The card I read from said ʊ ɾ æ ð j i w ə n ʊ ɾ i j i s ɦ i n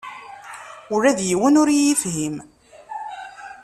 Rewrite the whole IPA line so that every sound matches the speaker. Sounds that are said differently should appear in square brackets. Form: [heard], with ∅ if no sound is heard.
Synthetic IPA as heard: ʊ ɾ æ ð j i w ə n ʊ ɾ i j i [f] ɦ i [m]